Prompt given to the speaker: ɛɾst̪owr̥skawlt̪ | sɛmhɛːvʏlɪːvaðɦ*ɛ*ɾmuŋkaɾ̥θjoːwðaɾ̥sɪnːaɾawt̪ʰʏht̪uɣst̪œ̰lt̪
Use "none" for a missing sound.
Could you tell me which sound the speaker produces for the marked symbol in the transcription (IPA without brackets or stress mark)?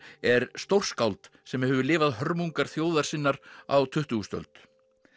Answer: œ